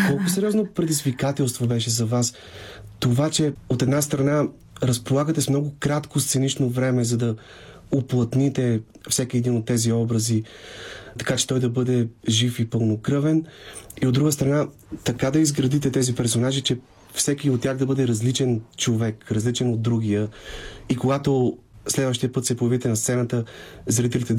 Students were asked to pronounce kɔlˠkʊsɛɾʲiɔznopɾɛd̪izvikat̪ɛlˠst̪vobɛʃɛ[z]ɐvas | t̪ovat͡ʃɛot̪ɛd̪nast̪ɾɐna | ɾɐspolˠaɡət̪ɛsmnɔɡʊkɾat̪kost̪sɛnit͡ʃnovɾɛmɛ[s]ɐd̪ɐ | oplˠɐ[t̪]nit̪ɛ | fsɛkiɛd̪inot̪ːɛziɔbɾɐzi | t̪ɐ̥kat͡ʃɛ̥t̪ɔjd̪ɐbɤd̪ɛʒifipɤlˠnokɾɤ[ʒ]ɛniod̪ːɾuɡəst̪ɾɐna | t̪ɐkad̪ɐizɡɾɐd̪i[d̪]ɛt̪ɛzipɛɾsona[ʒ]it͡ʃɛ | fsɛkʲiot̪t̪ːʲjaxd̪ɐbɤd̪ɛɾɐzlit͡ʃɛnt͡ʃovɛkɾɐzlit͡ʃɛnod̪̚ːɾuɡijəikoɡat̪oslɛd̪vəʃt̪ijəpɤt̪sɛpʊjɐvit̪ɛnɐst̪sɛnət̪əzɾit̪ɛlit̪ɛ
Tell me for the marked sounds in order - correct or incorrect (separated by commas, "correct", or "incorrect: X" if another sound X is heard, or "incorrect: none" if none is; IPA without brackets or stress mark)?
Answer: correct, incorrect: z, correct, incorrect: v, incorrect: t̪, correct